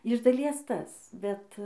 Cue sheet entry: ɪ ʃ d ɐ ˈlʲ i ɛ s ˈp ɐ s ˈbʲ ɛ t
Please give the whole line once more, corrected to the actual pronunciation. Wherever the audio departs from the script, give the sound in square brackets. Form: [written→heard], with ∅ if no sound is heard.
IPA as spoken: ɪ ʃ d ɐ ˈlʲ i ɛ s [ˈp→ˈt] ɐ s ˈbʲ ɛ t